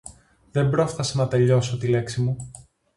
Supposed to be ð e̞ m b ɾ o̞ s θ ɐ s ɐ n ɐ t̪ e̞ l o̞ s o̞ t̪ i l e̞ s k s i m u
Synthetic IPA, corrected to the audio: ð e̞ m b ɾ o̞ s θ ɐ s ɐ n ɐ t̪ e̞ ʎ o̞ s o̞ t̪ i l e̞ k s i m u